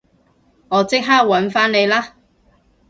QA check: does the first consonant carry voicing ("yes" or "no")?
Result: yes